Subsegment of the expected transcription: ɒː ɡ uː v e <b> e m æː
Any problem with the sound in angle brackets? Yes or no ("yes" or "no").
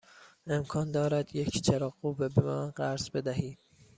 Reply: no